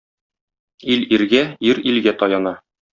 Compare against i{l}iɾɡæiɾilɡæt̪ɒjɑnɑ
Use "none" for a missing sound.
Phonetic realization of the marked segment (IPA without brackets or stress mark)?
l